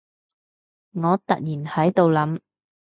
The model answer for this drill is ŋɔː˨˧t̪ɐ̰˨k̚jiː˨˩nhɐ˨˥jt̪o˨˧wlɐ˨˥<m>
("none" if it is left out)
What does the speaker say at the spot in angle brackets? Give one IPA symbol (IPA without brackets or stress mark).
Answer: m